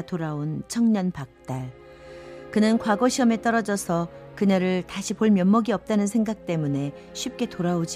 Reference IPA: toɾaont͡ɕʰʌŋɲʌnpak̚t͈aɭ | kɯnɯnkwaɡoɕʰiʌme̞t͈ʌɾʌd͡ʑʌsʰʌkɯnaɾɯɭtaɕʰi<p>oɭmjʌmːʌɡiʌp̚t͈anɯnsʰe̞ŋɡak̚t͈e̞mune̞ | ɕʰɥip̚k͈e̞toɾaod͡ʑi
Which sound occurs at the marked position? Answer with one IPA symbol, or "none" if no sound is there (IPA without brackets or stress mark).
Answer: p